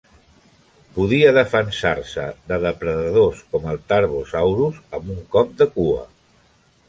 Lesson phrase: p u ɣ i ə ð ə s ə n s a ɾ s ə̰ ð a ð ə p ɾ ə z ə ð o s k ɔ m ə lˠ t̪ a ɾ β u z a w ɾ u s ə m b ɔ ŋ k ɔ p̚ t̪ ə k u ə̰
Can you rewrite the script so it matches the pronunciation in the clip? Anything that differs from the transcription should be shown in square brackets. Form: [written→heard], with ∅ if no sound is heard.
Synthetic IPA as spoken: p u [ɣ→ð] i ə ð ə [s→f] ə n s a ɾ s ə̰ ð [a→ə] ð ə p ɾ ə [z→ð] ə ð o s k ɔ m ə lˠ t̪ a ɾ β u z a w ɾ u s ə m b [ɔ→u] ŋ k ɔ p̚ [t̪→d̪] ə k u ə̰